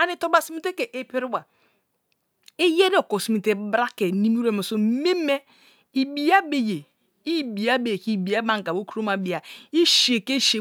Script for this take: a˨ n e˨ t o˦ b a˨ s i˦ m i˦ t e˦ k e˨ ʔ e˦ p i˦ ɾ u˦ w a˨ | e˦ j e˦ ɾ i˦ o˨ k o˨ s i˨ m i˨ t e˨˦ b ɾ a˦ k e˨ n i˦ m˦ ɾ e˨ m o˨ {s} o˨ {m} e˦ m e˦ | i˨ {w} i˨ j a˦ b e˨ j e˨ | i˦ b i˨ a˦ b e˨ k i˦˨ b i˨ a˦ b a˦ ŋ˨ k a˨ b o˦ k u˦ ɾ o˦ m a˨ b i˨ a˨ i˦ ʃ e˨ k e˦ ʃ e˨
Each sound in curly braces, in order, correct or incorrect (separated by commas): correct, correct, incorrect